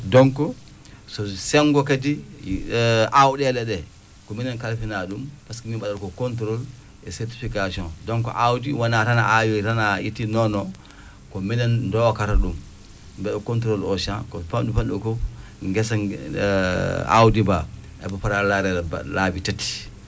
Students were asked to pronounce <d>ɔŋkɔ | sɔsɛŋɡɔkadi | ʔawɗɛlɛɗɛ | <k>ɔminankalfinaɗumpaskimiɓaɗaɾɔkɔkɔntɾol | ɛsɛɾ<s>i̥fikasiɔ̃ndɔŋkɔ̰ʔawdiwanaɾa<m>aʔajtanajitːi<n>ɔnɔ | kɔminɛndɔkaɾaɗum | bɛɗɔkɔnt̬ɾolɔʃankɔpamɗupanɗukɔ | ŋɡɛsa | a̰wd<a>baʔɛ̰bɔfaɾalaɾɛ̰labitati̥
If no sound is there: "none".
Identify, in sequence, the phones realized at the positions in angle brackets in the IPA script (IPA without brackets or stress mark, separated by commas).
d, k, t, n, n, i